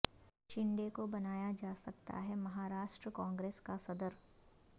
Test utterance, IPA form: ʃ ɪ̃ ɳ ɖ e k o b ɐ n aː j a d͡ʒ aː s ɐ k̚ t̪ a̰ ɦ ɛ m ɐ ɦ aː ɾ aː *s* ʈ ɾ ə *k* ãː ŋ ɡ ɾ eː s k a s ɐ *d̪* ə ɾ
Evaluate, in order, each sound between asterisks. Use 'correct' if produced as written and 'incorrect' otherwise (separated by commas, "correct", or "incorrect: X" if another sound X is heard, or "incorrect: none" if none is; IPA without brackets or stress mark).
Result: incorrect: ʃ, correct, correct